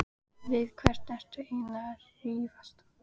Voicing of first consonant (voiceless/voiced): voiced